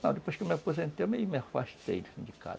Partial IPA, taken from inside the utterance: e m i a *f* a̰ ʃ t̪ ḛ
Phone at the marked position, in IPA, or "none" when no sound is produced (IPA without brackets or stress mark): f